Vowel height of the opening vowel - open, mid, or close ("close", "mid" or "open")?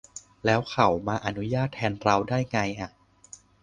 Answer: mid